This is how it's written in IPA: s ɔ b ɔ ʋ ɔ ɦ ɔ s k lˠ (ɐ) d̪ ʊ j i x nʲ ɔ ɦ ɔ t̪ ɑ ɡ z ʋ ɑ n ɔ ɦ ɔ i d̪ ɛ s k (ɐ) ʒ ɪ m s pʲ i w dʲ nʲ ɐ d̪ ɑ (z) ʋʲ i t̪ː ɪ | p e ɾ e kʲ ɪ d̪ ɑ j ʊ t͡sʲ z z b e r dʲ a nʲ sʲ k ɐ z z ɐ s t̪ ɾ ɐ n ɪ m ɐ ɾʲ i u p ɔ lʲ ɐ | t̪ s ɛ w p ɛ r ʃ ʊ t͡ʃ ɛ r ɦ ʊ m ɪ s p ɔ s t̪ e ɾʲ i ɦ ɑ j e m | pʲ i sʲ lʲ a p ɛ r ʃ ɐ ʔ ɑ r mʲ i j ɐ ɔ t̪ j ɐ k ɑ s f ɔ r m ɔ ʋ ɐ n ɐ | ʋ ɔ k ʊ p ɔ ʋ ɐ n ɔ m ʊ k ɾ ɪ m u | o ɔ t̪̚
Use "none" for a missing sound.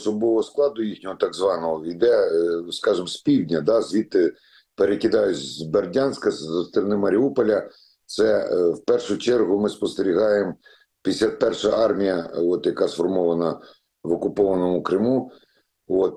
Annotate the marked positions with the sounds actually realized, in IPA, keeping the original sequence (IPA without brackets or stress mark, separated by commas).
ɑ, ɑ, z